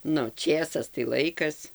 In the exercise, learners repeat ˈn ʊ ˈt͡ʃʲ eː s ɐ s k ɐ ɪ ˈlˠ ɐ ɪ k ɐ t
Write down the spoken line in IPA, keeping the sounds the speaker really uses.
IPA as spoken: ˈn ʊ ˈt͡ʃʲ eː s ɐ s t ɐ ɪ ˈlˠ ɐ ɪ k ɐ s